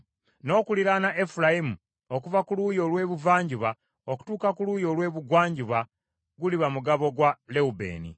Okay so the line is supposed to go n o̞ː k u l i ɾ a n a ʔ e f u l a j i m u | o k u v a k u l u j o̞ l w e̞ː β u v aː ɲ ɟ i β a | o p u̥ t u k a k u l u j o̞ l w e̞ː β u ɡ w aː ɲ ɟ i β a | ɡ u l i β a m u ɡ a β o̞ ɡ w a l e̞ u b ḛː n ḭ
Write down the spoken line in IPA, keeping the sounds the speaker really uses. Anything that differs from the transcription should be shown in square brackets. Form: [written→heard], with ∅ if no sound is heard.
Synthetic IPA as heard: n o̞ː k u l i ɾ a n a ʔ e f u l a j i m u | o k u v a k u l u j o̞ l w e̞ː β u v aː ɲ ɟ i β a | o [p→k] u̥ t [u→uː] k a k u l u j o̞ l w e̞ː β u ɡ w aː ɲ ɟ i β a | ɡ u l i β a m u ɡ a β o̞ ɡ w a l e̞ u b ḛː n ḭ